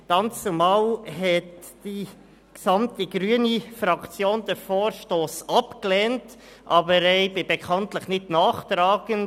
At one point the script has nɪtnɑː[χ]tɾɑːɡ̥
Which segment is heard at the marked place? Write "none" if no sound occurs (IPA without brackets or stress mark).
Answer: χ